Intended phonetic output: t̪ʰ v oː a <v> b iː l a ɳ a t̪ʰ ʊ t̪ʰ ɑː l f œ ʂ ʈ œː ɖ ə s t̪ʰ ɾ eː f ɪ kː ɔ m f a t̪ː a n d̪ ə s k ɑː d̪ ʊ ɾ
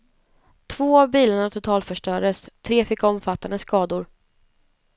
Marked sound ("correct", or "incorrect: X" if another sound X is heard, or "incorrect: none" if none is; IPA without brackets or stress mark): correct